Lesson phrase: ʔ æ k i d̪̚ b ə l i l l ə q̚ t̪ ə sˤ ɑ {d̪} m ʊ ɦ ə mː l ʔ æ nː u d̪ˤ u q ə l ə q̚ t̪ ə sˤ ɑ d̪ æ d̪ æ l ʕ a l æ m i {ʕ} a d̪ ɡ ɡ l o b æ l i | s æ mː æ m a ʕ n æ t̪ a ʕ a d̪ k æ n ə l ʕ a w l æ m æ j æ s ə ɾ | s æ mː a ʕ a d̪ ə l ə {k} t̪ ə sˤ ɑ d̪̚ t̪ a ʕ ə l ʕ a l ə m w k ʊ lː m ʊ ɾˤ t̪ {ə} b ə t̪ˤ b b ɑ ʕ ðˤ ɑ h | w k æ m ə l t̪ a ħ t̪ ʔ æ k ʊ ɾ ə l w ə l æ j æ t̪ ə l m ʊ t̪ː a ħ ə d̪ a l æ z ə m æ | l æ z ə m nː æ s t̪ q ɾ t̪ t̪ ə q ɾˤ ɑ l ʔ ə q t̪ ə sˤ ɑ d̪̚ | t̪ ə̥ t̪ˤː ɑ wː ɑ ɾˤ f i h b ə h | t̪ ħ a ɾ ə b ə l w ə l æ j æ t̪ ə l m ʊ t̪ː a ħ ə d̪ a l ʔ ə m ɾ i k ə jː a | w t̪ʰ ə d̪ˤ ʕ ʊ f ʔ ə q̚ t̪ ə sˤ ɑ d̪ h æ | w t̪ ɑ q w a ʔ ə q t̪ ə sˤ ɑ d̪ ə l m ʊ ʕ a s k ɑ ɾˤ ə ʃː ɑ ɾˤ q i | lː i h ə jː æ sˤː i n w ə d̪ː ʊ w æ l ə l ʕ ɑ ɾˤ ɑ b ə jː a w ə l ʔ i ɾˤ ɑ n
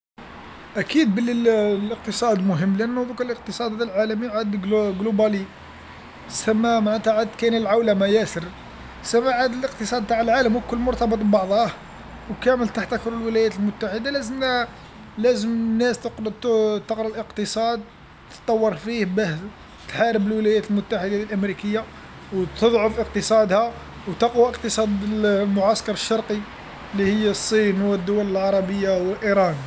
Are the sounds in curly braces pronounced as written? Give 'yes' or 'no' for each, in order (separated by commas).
yes, yes, no, no